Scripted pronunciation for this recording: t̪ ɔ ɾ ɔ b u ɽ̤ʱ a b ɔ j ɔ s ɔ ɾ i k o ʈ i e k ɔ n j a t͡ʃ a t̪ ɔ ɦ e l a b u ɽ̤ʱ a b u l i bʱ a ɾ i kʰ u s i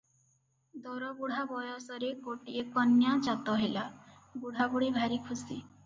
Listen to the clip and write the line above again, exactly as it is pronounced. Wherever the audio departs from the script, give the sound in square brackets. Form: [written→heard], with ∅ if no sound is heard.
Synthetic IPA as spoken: [t̪→d̪] ɔ ɾ ɔ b u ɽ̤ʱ a b ɔ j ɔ s ɔ ɾ [i→e] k o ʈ i e k ɔ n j a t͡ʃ a t̪ ɔ ɦ e l a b u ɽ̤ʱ a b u [l→ɽ] i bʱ a ɾ i kʰ u s i